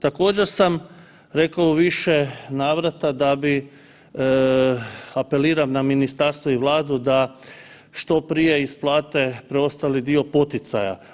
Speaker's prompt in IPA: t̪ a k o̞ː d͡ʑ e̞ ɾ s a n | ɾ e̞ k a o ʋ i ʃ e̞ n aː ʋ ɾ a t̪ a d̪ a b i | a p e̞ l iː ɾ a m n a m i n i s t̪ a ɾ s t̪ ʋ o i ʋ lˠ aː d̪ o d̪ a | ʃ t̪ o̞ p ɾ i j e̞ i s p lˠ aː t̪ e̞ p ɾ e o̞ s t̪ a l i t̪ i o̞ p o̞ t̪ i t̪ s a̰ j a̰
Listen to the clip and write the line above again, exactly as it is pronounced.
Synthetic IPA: t̪ a k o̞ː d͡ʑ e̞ ɾ s a m | ɾ e̞ k a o ʋ i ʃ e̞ n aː ʋ ɾ a t̪ a d̪ a b i | a p e̞ l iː ɾ a m n a m i n i s t̪ a ɾ s t̪ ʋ o i ʋ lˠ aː d̪ u d̪ a | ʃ t̪ o̞ p ɾ i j e̞ i s p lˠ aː t̪ e̞ p ɾ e o̞ s t̪ a l i d̪ i o̞ p o̞ t̪ i t̪ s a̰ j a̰